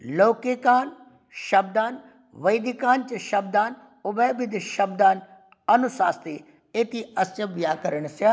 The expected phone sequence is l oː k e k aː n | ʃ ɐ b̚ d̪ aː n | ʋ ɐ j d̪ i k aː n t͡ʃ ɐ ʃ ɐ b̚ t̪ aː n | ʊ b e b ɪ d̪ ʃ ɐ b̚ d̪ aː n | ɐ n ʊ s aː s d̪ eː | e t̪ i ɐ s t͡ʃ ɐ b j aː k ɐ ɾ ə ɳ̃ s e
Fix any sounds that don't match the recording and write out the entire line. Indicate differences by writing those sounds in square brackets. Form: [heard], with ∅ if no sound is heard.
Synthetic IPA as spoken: l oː k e k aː n | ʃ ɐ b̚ d̪ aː n | ʋ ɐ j d̪ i k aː n t͡ʃ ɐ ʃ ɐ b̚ [d̪] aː n | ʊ b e b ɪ d̪ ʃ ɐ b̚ d̪ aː n | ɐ n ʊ s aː s [t̪] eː | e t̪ i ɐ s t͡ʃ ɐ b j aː k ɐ ɾ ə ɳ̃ s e